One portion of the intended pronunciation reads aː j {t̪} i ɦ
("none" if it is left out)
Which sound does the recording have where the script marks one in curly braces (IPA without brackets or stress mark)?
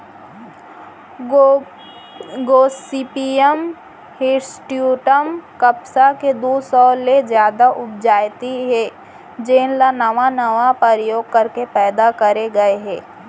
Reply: t̪